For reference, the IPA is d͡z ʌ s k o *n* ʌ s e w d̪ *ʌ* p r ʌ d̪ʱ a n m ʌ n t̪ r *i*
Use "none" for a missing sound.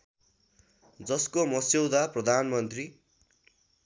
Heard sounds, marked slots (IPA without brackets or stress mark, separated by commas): m, a, i